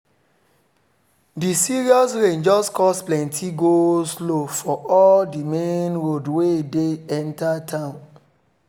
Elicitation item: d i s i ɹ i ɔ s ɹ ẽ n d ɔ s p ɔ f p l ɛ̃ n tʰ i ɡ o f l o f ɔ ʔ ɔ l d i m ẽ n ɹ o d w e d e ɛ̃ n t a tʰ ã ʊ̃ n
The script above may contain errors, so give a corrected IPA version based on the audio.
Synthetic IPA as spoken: d i s i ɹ i ɔ s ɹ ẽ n d͡ʒ ɔ s k ɔ s p l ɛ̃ n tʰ i ɡ o s l o f ɔ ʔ ɔ l d i m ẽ n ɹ o d w e d e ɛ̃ n t a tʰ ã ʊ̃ n